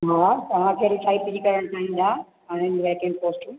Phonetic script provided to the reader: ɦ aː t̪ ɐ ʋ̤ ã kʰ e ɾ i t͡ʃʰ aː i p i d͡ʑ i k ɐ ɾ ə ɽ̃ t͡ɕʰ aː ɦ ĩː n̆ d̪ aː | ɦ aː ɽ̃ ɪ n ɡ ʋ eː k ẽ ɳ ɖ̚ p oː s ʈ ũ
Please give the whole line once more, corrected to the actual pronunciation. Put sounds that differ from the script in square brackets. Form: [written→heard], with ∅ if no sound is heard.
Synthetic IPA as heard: ɦ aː t̪ ɐ ʋ̤ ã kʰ e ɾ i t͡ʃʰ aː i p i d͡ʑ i k ɐ ɾ ə ɽ̃ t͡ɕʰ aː ɦ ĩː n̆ d̪ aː | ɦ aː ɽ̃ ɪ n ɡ ʋ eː k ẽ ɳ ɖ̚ p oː s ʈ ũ